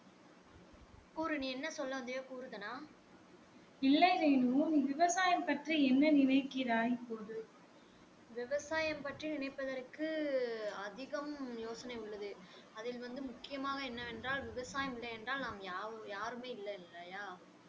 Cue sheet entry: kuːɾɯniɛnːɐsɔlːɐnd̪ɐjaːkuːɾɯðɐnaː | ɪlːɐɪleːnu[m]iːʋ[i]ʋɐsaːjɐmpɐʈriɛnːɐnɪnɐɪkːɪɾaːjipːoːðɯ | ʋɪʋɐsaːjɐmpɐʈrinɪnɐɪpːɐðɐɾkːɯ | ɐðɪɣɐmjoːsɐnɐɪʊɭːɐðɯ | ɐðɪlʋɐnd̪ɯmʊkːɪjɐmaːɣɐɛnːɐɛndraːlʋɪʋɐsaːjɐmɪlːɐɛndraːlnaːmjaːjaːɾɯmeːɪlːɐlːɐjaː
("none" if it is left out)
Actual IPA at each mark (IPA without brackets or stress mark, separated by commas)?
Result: n, ɪ